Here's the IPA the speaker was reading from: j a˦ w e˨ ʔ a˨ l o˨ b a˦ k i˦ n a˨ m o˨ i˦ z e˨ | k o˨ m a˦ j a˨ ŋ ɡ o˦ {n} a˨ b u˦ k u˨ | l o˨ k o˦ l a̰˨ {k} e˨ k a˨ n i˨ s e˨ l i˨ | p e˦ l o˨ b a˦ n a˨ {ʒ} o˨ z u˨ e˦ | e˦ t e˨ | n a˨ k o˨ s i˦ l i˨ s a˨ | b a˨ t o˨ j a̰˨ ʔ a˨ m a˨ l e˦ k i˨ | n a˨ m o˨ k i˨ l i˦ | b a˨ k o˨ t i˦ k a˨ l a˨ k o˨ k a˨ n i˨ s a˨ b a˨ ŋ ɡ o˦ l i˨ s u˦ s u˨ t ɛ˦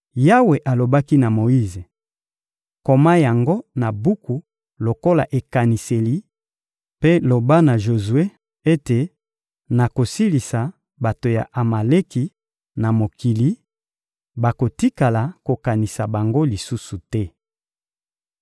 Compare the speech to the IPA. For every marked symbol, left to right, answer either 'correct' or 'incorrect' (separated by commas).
correct, incorrect, correct